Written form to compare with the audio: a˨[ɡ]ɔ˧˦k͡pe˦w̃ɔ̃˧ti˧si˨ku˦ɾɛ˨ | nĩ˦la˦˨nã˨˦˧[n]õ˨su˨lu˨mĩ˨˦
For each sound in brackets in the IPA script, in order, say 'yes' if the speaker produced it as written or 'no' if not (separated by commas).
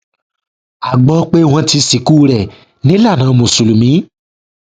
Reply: no, no